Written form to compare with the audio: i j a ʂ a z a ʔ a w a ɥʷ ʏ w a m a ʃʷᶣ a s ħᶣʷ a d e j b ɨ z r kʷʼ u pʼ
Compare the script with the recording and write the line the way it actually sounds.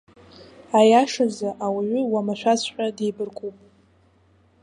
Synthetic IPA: a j a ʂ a z a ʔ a w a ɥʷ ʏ w a m a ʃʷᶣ a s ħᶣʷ a d e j b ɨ r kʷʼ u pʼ